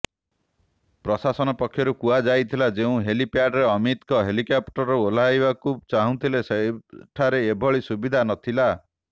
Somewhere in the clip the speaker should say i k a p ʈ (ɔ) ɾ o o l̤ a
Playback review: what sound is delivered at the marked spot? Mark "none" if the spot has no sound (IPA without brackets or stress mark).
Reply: ɔ